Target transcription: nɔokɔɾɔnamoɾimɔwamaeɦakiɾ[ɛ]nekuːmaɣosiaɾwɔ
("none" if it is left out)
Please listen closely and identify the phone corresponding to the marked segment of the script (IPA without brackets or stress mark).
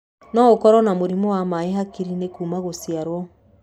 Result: i